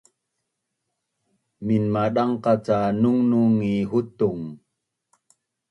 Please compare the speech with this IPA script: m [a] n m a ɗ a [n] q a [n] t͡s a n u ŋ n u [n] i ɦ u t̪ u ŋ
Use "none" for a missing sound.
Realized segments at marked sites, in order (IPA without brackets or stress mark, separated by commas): i, ŋ, none, ŋ